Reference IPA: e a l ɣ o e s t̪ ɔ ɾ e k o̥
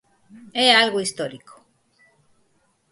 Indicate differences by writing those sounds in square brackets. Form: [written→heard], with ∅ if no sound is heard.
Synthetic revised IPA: e a l ɣ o [e→i] s t̪ [ɔ→o] ɾ [e→i] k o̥